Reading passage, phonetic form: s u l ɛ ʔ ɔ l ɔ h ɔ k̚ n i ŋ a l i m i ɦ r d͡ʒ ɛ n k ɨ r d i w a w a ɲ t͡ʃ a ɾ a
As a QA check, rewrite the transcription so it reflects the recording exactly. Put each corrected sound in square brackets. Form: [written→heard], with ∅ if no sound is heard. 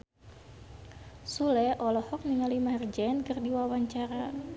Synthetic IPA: s u l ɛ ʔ ɔ l ɔ h ɔ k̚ n i ŋ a l i m [i→a] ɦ r d͡ʒ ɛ n k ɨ r d i w a w a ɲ t͡ʃ a ɾ a